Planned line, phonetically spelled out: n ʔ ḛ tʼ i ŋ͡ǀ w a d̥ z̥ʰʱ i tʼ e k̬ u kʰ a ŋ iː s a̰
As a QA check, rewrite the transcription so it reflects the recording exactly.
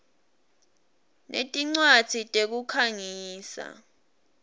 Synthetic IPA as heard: n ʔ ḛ tʼ i ŋ͡ǀ w a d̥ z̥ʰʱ i tʼ e k̬ u kʰ a ŋ iː s a̰